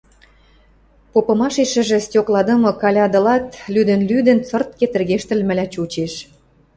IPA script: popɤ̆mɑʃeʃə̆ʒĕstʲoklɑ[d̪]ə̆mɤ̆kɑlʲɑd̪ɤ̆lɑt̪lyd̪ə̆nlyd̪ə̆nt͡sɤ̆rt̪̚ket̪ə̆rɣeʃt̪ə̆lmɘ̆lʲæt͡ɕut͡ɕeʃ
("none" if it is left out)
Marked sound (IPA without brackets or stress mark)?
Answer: d̪